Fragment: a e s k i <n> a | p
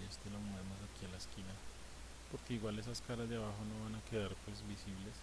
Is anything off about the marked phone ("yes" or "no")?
no